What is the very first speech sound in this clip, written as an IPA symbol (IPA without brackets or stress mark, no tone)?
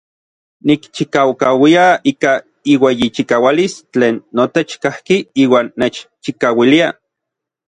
n